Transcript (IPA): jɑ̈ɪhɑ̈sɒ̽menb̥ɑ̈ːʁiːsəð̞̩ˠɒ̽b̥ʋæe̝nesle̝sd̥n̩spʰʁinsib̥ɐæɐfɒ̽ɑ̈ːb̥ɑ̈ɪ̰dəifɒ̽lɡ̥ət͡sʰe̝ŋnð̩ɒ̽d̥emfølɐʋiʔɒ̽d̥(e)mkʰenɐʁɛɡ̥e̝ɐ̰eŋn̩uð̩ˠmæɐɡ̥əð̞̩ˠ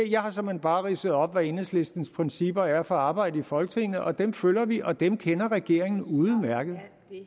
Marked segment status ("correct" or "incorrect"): correct